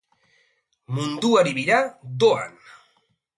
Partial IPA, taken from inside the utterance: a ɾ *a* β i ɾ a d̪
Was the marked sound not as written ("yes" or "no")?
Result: yes